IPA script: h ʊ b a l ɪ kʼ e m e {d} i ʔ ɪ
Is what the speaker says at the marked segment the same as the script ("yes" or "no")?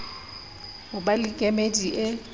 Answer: yes